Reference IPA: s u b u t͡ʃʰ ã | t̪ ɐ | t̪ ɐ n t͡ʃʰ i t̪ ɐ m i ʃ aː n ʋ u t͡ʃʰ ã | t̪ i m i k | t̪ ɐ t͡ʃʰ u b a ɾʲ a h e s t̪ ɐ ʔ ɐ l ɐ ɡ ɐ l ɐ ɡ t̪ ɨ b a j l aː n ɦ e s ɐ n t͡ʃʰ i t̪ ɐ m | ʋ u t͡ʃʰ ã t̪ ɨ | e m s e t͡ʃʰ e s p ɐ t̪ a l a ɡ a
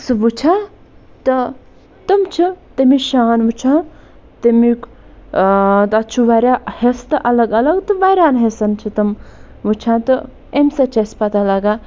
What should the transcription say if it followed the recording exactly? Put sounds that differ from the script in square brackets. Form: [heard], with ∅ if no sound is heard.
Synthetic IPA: s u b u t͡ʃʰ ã | t̪ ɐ | t̪ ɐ [m] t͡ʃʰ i t̪ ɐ m i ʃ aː n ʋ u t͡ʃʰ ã | t̪ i m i k | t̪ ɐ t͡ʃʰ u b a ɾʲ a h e s t̪ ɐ ʔ ɐ l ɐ ɡ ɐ l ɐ ɡ t̪ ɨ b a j [ɾ] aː n ɦ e s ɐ n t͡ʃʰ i t̪ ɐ m | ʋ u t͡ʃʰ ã t̪ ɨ | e m s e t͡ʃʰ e s p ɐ t̪ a l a ɡ a